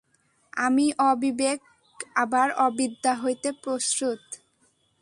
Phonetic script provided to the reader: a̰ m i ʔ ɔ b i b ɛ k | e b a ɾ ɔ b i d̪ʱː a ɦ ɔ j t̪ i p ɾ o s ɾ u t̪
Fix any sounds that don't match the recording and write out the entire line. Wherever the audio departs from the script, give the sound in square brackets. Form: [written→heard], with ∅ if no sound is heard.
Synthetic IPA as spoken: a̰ m i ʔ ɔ b i b [ɛ→e] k | [e→a] b a ɾ ɔ b i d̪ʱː a ɦ [ɔ→o] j t̪ [i→e] p ɾ o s ɾ u t̪